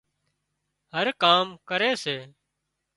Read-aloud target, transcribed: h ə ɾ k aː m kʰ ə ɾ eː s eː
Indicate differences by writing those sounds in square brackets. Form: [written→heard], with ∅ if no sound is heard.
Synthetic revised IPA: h ə ɾ k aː m [kʰ→k] ə ɾ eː s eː